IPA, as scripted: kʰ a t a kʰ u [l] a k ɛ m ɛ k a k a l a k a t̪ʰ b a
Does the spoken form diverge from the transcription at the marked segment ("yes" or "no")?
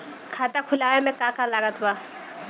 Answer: no